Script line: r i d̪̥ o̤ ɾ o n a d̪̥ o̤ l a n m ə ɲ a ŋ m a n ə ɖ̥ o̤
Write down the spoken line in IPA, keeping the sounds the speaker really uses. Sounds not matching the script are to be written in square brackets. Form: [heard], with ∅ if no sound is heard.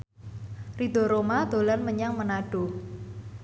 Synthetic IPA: r i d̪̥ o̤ ɾ o [m] a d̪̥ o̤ l a n m ə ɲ a ŋ m [ə] n [a] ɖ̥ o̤